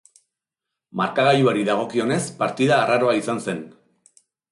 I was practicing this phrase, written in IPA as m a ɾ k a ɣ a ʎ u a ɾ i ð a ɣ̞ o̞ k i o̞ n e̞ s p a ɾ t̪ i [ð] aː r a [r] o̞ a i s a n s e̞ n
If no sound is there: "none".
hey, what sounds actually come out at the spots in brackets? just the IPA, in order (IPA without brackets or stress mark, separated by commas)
ð, ɾ